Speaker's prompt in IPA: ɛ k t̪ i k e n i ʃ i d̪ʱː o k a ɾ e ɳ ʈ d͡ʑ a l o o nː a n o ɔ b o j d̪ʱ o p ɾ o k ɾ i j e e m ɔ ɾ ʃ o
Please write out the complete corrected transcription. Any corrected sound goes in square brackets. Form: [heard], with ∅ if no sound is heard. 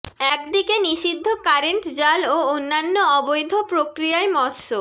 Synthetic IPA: ɛ k [d̪] i k e n i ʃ i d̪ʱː o k a ɾ e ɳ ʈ d͡ʑ a l o o nː a [nː] o ɔ b o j d̪ʱ o p ɾ o k ɾ i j [a] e m ɔ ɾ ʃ o

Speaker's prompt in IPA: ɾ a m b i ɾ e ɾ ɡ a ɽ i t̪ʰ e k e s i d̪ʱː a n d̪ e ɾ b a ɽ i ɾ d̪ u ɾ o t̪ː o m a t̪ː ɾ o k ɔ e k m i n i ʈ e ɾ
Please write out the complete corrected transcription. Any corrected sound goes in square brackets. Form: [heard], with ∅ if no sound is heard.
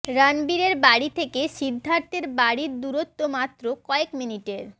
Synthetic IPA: ɾ a [n] b i ɾ e ɾ [b] a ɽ i t̪ʰ e k e [ʃ] i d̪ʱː a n [t̪] e ɾ b a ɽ i ɾ d̪ u ɾ o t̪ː o m a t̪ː ɾ o k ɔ e k m i n i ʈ e ɾ

